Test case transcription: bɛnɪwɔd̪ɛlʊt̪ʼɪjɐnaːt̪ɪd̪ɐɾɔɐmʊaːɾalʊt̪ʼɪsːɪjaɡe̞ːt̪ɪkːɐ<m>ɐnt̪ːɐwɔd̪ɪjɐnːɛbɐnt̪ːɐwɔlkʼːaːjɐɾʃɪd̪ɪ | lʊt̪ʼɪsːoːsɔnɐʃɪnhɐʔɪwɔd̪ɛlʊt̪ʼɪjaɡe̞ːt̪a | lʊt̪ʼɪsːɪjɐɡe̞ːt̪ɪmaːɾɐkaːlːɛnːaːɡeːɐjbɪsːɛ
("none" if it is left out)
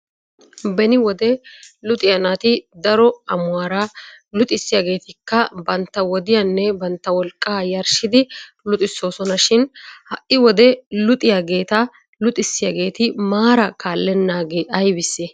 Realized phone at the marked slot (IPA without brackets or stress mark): b